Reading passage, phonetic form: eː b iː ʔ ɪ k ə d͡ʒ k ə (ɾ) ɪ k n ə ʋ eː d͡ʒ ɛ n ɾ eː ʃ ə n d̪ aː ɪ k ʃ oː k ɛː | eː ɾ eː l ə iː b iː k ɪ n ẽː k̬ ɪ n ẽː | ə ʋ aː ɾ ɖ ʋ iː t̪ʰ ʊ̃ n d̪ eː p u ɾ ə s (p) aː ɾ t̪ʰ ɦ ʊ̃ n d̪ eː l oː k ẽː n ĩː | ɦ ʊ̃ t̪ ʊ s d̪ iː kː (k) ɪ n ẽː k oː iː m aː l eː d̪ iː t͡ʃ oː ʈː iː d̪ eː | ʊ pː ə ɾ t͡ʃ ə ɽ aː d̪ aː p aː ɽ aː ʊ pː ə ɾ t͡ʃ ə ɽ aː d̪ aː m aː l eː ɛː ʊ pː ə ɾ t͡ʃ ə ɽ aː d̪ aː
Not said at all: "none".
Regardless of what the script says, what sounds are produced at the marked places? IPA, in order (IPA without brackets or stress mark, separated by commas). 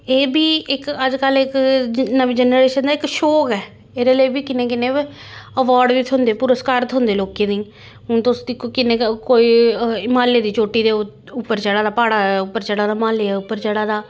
l, k, k